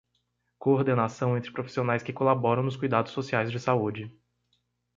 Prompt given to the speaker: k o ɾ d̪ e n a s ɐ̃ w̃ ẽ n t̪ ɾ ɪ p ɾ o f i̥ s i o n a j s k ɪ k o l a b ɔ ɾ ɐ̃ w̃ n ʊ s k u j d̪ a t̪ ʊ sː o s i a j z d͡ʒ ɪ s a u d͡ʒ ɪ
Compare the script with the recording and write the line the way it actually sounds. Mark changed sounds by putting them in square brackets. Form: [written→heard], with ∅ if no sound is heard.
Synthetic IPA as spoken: k o ɾ d̪ e n a s ɐ̃ w̃ ẽ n t̪ ɾ ɪ p ɾ o f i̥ s i o n a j s k ɪ k o l a b ɔ ɾ ɐ̃ w̃ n ʊ s k u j d̪ a [t̪→d̪] ʊ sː o s i a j z d͡ʒ ɪ s a u d͡ʒ ɪ